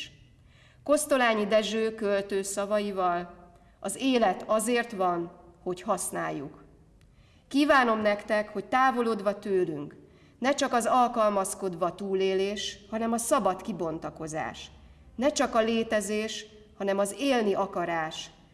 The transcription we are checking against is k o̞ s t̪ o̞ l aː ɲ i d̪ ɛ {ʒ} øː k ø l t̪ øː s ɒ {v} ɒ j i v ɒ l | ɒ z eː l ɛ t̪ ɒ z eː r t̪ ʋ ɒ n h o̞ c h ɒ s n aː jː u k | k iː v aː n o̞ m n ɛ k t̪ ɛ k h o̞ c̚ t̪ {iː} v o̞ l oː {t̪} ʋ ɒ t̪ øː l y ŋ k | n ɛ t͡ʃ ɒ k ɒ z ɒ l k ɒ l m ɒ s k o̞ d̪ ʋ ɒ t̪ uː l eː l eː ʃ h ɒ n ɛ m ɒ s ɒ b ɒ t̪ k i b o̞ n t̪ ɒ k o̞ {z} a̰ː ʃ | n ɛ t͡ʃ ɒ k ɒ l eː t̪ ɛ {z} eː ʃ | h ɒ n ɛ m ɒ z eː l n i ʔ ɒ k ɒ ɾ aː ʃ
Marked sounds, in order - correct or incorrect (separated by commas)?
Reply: correct, correct, incorrect, incorrect, correct, correct